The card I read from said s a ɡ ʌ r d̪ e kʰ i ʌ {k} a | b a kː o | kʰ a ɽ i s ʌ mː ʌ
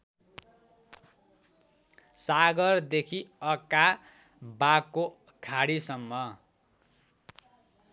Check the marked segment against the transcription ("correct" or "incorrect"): correct